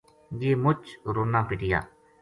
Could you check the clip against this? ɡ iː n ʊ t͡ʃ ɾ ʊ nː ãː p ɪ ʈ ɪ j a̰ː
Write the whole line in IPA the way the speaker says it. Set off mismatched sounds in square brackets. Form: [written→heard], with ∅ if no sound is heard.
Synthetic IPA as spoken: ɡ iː [n→m] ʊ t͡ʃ ɾ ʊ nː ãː p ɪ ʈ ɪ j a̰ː